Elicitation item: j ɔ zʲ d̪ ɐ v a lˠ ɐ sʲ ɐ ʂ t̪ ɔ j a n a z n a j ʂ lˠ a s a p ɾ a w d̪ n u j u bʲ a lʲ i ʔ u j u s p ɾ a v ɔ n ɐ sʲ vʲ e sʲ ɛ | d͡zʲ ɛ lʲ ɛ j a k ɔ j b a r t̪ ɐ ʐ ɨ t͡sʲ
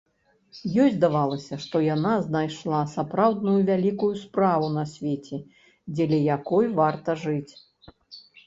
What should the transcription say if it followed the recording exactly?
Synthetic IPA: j ɔ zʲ d̪ a v a lˠ ɐ sʲ ɐ ʂ t̪ ɔ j a n a z n a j ʂ lˠ a s a p ɾ a w d̪ n u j u vʲ a lʲ i k u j u s p ɾ a v u n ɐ sʲ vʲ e t͡sʲ ɛ | d͡zʲ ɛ lʲ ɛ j a k ɔ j v a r t̪ ɐ ʐ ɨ t͡sʲ